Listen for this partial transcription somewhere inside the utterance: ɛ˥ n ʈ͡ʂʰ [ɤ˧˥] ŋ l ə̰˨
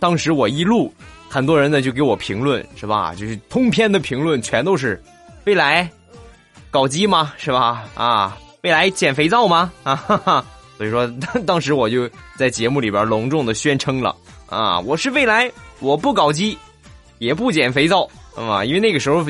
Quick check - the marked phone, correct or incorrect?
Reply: incorrect